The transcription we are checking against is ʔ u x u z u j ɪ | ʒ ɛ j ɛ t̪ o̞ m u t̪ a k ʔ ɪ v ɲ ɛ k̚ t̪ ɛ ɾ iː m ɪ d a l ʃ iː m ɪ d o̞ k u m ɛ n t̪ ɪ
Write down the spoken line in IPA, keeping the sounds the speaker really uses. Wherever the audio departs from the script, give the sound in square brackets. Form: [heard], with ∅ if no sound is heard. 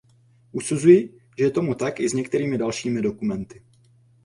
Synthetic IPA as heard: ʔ u [s] u z u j ɪ | ʒ ɛ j ɛ t̪ o̞ m u t̪ a k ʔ ɪ [z] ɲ ɛ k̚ t̪ ɛ ɾ iː m ɪ d a l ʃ iː m ɪ d o̞ k u m ɛ n t̪ ɪ